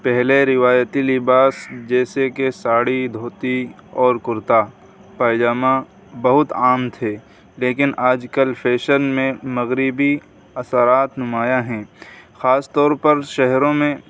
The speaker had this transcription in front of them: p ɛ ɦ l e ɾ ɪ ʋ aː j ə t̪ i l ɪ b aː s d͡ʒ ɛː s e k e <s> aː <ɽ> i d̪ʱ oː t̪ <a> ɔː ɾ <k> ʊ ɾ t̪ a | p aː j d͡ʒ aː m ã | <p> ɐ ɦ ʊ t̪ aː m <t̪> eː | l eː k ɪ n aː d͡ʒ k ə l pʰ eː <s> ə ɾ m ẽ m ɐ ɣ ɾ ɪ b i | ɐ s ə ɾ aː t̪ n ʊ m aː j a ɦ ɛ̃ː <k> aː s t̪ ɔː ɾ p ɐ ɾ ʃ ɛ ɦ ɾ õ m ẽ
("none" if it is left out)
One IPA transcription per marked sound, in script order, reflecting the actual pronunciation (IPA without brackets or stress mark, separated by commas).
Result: s, ɽ, i, k, b, t̪ʰ, ʃ, x